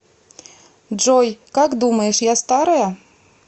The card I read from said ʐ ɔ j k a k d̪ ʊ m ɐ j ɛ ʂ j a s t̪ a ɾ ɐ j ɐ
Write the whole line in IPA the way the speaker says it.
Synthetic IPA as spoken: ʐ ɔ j k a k d̪ u m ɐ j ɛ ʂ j a s t̪ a ɾ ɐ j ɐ